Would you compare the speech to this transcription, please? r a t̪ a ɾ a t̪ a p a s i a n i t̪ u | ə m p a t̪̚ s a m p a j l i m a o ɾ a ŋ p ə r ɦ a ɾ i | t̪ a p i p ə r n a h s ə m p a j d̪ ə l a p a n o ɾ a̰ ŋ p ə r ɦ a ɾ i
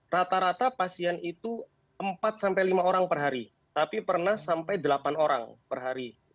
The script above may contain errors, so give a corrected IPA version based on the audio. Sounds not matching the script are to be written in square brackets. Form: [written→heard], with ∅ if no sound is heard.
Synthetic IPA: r a t̪ a ɾ a t̪ a p a s i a n i t̪ u | ə m p a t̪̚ s a m p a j l i m a o ɾ a ŋ p ə r ɦ a ɾ i | t̪ a p i p ə r n a h s [ə→a] m p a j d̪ ə l a p a n o ɾ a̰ ŋ p ə r ɦ a ɾ i